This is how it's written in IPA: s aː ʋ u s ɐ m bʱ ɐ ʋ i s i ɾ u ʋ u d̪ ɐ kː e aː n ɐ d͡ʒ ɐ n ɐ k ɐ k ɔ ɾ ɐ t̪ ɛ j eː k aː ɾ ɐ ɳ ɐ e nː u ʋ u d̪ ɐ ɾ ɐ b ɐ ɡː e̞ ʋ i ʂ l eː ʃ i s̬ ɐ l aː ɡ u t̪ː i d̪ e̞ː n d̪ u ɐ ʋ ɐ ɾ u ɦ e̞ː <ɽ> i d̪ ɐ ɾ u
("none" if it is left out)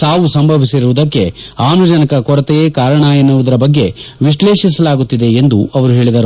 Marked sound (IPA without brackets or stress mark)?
ɭ